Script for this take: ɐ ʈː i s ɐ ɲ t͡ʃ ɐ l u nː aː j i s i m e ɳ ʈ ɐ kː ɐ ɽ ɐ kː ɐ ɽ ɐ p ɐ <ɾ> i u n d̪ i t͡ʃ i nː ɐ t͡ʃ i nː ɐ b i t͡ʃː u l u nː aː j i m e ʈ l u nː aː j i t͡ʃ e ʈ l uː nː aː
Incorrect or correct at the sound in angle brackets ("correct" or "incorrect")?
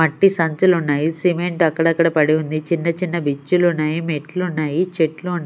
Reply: incorrect